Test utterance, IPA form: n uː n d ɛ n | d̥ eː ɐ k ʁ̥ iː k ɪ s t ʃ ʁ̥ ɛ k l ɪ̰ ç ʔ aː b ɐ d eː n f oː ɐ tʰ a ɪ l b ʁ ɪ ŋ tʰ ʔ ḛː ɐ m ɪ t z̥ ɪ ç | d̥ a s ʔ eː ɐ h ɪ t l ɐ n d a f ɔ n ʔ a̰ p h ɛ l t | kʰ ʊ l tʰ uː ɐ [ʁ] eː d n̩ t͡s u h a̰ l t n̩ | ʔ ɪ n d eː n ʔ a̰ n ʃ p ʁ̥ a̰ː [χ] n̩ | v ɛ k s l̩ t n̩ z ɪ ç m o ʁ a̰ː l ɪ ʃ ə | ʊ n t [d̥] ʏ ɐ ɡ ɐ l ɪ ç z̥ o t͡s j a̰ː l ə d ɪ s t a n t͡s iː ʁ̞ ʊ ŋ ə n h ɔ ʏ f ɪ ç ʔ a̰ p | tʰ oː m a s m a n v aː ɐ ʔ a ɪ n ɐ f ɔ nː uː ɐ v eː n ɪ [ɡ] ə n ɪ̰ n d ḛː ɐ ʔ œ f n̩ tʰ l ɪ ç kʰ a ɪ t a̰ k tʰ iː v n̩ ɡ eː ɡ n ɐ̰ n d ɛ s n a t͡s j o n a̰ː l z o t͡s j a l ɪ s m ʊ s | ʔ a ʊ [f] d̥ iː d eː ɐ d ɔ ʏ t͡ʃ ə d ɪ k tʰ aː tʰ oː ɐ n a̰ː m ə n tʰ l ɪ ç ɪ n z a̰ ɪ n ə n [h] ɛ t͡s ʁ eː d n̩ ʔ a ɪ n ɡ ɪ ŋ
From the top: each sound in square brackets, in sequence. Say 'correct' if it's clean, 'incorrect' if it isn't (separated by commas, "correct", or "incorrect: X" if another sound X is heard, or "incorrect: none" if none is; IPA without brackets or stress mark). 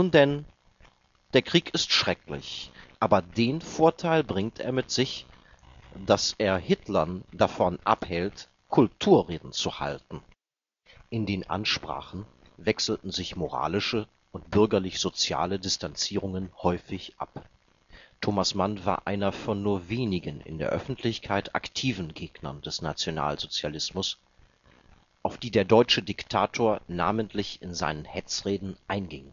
correct, correct, incorrect: b̥, correct, correct, correct